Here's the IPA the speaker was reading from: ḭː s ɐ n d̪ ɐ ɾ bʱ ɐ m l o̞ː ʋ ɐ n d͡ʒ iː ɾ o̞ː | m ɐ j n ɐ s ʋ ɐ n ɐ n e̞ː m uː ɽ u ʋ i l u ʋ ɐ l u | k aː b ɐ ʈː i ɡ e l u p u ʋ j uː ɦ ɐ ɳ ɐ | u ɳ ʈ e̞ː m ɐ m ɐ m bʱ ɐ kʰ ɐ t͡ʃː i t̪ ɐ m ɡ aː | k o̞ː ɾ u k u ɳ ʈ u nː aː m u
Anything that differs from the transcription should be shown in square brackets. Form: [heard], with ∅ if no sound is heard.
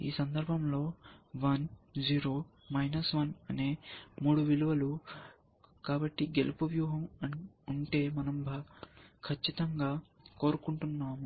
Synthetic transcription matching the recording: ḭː s ɐ n d̪ ɐ ɾ bʱ ɐ m l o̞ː ʋ ɐ n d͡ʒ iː ɾ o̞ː | m ɐ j n ɐ s ʋ ɐ n ɐ n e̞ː m uː ɽ u ʋ i l u ʋ ɐ l u | k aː b ɐ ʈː i ɡ e l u p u ʋ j uː ɦ ɐ [m] ɐ | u ɳ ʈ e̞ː m ɐ [n] ɐ m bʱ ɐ kʰ ɐ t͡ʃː i t̪ ɐ [ŋ] ɡ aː | k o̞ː ɾ u k u ɳ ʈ u nː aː m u